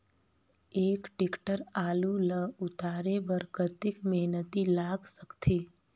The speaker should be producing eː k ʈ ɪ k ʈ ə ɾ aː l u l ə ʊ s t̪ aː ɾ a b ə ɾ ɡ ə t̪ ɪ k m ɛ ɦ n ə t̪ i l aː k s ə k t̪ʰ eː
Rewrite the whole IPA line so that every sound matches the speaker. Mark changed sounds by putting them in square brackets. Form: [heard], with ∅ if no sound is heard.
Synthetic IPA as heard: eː k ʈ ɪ k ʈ ə ɾ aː l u l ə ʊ [∅] t̪ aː ɾ [e] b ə ɾ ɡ ə t̪ ɪ k m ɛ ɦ n ə t̪ i l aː [ɡ] s ə k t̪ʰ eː